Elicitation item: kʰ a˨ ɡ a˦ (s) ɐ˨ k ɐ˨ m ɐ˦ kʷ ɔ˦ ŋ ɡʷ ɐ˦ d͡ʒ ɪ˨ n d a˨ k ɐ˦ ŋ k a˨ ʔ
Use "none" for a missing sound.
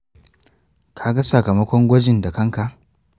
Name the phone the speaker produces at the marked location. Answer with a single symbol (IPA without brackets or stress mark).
s